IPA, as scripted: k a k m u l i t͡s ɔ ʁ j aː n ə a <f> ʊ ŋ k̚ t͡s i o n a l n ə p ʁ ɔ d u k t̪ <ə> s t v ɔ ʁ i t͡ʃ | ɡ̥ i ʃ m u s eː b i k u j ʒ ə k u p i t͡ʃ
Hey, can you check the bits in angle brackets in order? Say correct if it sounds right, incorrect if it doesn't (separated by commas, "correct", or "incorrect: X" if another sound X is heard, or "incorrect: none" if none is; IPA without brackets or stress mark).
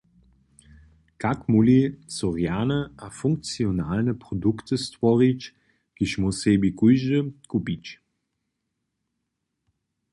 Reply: correct, correct